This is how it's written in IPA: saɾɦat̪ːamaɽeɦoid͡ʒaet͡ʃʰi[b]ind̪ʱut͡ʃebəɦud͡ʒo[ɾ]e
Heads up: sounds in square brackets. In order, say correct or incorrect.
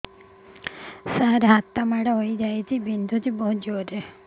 correct, correct

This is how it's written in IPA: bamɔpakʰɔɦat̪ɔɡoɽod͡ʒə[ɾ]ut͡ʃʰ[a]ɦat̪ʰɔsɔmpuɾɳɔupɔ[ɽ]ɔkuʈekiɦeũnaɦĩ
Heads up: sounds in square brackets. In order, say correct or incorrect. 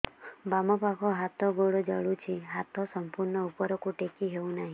incorrect: ɭ, incorrect: i, incorrect: ɾ

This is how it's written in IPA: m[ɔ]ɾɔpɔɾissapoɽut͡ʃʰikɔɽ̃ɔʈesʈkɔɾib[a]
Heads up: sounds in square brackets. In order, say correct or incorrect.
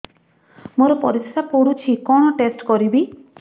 incorrect: o, incorrect: i

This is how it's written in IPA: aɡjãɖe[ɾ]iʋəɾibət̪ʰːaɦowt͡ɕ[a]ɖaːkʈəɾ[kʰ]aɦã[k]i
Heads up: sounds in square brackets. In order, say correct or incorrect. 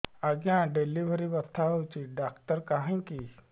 incorrect: l, incorrect: i, incorrect: k, correct

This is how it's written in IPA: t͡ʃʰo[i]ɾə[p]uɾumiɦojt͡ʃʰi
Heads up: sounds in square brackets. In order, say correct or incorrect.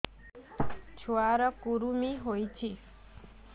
incorrect: a, incorrect: k

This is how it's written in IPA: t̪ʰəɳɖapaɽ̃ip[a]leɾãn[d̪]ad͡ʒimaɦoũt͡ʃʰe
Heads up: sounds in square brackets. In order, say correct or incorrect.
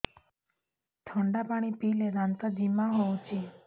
incorrect: i, incorrect: t̪

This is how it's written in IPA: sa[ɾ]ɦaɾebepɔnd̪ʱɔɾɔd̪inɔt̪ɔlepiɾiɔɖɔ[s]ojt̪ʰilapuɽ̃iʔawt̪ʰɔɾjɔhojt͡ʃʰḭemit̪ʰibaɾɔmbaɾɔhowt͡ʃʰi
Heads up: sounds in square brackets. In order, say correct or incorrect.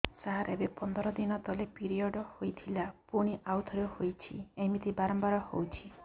incorrect: none, incorrect: h

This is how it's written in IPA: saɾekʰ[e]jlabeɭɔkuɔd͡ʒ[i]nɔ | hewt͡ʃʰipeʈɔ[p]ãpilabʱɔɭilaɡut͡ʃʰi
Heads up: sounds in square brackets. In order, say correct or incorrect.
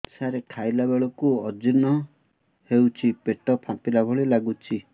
incorrect: a, correct, incorrect: pʰ

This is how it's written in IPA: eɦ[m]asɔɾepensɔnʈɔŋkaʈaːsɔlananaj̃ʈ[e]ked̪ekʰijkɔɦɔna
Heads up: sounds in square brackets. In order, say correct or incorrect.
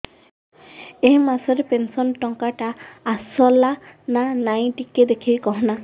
correct, incorrect: i

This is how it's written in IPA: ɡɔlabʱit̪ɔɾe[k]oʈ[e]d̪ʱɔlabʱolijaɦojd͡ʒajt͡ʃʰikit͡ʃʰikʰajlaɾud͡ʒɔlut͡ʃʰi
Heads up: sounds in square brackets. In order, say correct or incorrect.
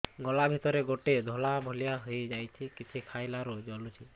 incorrect: ɡ, correct

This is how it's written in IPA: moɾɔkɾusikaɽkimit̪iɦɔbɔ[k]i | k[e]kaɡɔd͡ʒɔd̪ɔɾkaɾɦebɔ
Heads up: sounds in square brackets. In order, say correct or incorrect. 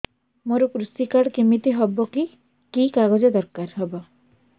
correct, incorrect: i

